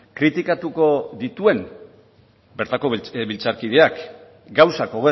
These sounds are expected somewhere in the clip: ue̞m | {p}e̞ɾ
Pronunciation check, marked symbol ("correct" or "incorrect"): incorrect